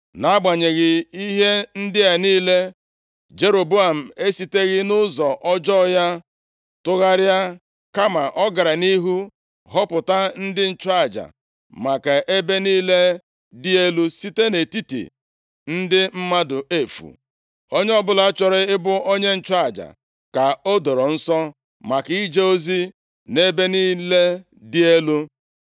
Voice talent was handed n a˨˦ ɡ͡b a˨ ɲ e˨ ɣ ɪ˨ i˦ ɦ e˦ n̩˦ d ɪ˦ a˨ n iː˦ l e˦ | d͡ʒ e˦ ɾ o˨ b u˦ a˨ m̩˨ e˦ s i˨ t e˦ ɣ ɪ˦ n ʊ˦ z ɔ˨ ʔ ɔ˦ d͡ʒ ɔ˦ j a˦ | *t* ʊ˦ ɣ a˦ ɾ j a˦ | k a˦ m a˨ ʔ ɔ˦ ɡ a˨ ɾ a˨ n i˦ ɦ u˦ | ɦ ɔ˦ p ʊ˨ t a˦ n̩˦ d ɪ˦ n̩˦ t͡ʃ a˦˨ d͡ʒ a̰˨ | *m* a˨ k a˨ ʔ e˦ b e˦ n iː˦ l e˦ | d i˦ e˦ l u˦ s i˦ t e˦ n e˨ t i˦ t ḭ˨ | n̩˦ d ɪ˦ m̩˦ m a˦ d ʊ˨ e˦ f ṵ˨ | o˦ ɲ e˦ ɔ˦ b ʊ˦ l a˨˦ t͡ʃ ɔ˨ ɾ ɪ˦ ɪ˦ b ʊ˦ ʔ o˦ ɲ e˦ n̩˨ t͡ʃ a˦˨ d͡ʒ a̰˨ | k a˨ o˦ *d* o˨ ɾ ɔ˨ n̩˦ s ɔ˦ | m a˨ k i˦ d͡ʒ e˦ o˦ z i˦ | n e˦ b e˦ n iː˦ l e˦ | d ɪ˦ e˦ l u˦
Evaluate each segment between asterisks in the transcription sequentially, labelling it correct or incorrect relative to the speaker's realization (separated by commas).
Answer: correct, correct, correct